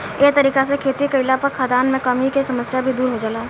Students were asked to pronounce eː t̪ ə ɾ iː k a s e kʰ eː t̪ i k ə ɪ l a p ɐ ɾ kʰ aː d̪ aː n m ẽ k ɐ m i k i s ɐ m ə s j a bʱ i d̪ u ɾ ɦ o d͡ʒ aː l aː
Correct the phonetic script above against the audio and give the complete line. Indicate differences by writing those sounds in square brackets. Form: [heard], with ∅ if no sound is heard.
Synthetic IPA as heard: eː t̪ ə ɾ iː k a s e kʰ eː t̪ i k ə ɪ l a p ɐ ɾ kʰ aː d̪ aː n m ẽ k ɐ m i k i s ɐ m ə s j a bʱ i d̪ [uː] ɾ ɦ o d͡ʒ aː l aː